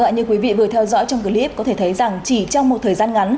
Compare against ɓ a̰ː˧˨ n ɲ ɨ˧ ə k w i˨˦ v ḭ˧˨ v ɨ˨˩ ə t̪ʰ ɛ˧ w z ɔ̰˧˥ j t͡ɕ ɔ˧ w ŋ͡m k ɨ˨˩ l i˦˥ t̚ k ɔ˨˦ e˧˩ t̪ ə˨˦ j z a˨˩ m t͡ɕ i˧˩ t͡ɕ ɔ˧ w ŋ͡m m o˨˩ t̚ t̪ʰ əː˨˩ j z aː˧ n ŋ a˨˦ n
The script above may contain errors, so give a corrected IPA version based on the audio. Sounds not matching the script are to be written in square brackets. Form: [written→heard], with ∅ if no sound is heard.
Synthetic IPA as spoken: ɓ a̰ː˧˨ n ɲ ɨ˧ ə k w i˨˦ v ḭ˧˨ v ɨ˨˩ ə t̪ʰ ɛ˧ w z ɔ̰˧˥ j t͡ɕ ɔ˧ w ŋ͡m k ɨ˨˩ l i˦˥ [t̚→p̚] k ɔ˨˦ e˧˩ [t̪→t̪ʰ] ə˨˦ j z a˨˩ [m→ŋ] t͡ɕ i˧˩ t͡ɕ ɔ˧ w ŋ͡m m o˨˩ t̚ t̪ʰ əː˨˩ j z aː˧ n ŋ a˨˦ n